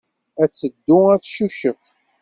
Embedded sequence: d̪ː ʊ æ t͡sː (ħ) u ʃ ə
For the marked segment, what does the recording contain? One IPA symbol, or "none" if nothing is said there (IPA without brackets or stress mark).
ʃ